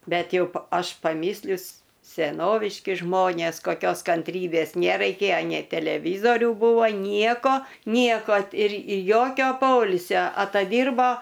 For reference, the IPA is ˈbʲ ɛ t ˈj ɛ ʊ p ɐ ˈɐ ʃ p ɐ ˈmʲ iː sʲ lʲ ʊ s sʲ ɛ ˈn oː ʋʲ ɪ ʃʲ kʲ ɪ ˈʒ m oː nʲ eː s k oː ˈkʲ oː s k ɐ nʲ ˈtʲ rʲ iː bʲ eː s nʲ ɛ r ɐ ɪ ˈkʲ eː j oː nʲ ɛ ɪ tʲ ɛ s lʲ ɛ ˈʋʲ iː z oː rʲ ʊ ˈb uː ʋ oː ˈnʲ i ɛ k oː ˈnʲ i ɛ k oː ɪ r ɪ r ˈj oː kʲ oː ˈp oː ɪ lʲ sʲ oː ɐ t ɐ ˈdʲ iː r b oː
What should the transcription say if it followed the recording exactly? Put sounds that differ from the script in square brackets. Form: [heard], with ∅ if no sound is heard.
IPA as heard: ˈbʲ ɛ t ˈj ɛ ʊ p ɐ ˈɐ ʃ p ɐ ˈmʲ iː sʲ lʲ ʊ s sʲ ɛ ˈn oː ʋʲ ɪ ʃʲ kʲ ɪ ˈʒ m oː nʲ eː s k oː ˈkʲ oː s k ɐ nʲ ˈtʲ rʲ iː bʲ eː s nʲ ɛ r ɐ ɪ ˈkʲ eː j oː nʲ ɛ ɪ tʲ ɛ [∅] lʲ ɛ ˈʋʲ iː z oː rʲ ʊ ˈb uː ʋ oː ˈnʲ i ɛ k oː ˈnʲ i ɛ k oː ɪ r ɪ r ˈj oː kʲ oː ˈp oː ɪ lʲ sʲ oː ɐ t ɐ ˈdʲ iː r b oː